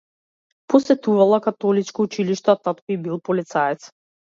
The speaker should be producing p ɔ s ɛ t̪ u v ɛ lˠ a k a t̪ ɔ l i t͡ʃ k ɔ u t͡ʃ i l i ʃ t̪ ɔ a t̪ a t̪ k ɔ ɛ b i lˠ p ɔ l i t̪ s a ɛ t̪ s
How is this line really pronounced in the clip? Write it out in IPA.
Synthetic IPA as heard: p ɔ s ɛ t̪ u v a lˠ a k a t̪ ɔ l i t͡ʃ k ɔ u t͡ʃ i l i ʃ t̪ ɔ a t̪ a t̪ k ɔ i b i lˠ p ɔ l i t̪ s a ɛ t̪ s

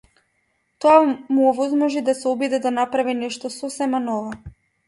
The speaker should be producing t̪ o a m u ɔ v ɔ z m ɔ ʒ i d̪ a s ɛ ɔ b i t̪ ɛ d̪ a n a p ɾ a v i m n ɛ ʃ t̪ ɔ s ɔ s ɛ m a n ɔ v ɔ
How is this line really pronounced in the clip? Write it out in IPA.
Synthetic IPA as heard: t̪ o a m u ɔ v ɔ z m ɔ ʒ i d̪ a s ɛ ɔ b i d̪ ɛ d̪ a n a p ɾ a v i n ɛ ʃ t̪ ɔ s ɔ s ɛ m a n ɔ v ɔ

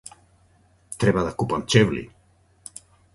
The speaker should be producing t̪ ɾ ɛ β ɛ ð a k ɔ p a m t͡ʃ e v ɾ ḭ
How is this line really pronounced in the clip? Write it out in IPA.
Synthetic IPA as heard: t̪ ɾ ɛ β a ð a k u p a n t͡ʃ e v l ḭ

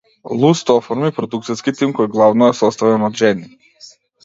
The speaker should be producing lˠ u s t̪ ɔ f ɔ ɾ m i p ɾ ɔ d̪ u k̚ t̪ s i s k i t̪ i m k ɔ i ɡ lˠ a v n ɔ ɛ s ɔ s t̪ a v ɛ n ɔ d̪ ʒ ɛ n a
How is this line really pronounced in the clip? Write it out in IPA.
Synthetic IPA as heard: lˠ u s t̪ ɔ f ɔ ɾ m i p ɾ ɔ d̪ u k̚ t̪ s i s k i t̪ i m k ɔ j ɡ lˠ a v n ɔ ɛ s ɔ s t̪ a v ɛ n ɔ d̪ ʒ ɛ n i

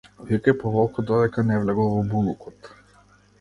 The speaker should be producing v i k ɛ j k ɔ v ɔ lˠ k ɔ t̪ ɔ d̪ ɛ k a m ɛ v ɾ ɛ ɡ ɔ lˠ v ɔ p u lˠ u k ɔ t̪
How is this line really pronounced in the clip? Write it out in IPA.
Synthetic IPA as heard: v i k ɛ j p ɔ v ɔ lˠ k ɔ d̪ ɔ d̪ ɛ k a n ɛ v l ɛ ɡ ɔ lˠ v ɔ b u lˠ u k ɔ t̪

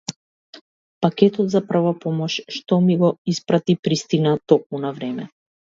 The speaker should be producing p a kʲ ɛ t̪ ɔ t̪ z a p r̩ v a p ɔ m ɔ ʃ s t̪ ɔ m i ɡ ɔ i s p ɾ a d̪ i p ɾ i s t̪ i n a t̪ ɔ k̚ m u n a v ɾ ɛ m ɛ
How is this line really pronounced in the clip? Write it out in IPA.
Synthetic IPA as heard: p a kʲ ɛ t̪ ɔ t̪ z a p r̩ v a p ɔ m ɔ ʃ ʃ t̪ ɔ m i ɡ ɔ i s p ɾ a t̪ i p ɾ i s t̪ i n a t̪ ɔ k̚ m u n a v ɾ ɛ m ɛ

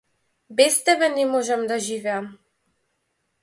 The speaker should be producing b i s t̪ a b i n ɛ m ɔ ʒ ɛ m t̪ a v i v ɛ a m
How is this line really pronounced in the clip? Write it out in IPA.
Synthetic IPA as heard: b ɛ s t̪ ɛ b ɛ n ɛ m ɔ ʒ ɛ m d̪ a ʒ i v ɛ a m

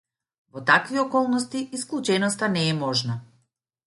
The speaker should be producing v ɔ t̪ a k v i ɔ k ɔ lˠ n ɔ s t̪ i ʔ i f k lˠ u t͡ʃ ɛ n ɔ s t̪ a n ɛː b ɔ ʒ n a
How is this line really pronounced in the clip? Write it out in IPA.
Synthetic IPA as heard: v ɔ t̪ a k v i ɔ k ɔ lˠ n ɔ s t̪ i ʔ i s k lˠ u t͡ʃ ɛ n ɔ s t̪ a n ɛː m ɔ ʒ n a

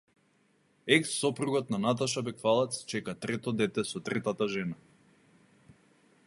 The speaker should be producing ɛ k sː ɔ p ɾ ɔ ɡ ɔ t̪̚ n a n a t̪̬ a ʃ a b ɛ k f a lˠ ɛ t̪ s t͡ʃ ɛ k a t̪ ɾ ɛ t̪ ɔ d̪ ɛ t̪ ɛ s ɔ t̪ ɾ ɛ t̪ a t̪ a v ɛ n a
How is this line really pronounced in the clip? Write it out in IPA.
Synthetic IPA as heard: ɛ k sː ɔ p ɾ u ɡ ɔ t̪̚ n a n a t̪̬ a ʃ a b ɛ k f a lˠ ɛ t̪ s t͡ʃ ɛ k a t̪ ɾ ɛ t̪ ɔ d̪ ɛ t̪ ɛ s ɔ t̪ ɾ ɛ t̪ a t̪ a ʒ ɛ n a

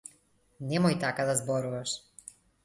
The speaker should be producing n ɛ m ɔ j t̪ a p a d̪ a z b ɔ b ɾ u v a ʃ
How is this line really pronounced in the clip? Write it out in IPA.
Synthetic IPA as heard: n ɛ m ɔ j t̪ a k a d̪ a z b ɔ ɾ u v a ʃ

